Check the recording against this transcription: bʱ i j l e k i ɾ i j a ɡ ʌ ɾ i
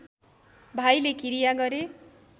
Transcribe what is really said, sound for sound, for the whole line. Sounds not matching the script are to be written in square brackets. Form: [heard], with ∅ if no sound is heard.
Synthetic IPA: bʱ [a] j l e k i ɾ i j a ɡ ʌ ɾ [e]